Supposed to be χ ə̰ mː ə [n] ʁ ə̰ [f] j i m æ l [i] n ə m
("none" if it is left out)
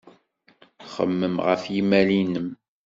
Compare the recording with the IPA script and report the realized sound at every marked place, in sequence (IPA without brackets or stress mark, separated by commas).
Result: m, f, i